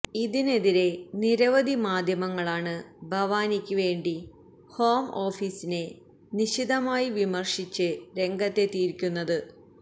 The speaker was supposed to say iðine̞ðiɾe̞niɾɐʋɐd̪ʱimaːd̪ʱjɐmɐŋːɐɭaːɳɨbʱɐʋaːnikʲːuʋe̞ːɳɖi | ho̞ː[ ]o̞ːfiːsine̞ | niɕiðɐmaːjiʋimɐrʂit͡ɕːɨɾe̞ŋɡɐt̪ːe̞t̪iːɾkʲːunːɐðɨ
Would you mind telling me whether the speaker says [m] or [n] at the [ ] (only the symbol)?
m